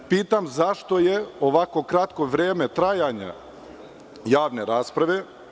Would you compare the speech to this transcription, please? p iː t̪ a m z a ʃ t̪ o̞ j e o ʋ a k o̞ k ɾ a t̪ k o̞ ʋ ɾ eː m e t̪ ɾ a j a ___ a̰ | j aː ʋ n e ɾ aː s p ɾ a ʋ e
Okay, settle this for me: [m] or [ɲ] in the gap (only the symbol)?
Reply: ɲ